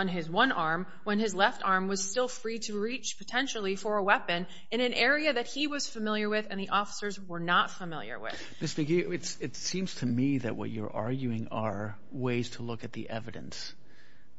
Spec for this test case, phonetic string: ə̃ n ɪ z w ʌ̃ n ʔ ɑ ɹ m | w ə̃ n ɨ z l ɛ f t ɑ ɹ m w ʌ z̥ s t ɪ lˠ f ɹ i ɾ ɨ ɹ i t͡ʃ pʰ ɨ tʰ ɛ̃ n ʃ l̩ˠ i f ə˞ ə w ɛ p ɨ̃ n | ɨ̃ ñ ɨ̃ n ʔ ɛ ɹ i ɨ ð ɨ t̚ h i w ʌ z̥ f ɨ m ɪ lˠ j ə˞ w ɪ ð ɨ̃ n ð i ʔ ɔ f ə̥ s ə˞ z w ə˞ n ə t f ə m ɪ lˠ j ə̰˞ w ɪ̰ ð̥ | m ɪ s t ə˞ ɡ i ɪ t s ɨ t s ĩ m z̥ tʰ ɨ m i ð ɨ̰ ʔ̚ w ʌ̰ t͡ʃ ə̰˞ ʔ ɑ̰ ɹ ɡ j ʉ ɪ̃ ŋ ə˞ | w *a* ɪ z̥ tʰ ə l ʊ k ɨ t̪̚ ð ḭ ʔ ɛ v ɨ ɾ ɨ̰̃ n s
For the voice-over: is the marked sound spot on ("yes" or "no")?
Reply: no